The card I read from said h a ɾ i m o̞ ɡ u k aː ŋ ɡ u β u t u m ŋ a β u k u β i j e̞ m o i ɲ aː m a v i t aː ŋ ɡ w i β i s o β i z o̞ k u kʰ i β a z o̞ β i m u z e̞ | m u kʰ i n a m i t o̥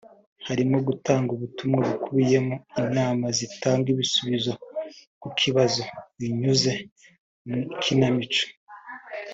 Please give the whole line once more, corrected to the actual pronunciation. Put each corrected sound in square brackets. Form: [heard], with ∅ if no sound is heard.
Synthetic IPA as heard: h a ɾ i m o̞ ɡ u [t] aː ŋ ɡ u β u t u m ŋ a β u k u β i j e̞ m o i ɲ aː m a [z] i t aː ŋ ɡ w i β i s [u] β i z o̞ k u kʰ i β a z o̞ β i [ɲ] u z e̞ | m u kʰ i n a m i [t͡ʃ] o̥